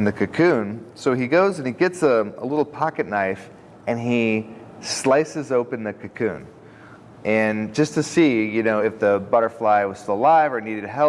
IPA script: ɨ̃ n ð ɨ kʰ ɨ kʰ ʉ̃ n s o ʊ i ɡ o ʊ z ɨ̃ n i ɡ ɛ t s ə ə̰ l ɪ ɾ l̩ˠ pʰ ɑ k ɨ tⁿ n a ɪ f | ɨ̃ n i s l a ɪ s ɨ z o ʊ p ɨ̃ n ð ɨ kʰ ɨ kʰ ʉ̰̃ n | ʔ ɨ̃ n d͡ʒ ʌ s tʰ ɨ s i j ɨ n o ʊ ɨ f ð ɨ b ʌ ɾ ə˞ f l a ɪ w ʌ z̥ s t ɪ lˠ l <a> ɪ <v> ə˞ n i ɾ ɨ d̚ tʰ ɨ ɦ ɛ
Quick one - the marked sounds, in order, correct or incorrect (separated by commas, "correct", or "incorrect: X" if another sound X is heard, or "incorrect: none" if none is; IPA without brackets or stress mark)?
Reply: correct, correct